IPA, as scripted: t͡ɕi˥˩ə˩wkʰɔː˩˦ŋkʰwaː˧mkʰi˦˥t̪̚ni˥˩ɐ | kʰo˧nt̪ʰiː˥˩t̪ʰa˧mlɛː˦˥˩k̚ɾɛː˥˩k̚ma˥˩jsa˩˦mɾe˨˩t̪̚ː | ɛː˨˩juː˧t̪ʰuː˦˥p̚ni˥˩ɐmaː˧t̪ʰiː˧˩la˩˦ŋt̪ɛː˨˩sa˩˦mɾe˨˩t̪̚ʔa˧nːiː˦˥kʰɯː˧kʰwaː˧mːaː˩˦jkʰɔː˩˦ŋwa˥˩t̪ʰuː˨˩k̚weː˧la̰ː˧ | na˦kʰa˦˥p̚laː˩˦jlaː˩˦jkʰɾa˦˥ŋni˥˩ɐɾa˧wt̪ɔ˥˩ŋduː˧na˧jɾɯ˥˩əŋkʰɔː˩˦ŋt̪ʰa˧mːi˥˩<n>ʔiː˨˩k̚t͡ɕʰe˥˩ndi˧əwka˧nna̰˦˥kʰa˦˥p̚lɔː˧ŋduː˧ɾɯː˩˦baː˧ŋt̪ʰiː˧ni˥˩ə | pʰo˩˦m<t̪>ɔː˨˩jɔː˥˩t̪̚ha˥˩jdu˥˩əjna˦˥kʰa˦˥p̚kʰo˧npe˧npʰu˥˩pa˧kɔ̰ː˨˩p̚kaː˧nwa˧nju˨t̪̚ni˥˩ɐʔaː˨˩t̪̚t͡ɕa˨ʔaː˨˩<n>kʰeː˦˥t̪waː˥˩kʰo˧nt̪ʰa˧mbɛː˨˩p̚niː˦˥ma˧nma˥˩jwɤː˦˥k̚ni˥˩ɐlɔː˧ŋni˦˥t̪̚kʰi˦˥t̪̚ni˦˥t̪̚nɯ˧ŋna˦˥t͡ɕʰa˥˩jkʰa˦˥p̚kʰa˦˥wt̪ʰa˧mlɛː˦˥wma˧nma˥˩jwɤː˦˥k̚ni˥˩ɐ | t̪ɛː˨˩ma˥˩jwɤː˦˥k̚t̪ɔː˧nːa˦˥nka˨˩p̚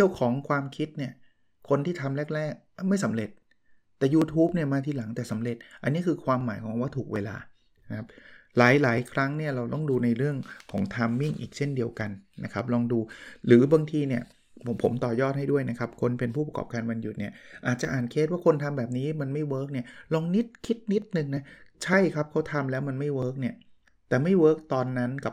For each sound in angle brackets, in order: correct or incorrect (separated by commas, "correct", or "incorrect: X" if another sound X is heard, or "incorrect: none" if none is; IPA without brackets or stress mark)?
incorrect: ŋ, correct, correct